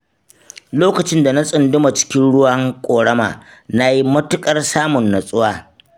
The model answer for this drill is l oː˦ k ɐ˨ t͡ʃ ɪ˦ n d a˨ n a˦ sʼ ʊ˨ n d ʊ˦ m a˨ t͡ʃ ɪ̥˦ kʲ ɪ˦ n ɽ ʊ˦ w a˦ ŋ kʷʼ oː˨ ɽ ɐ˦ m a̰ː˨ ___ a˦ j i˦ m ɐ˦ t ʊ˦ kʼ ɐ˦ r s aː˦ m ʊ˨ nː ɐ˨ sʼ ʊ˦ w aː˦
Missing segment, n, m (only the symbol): n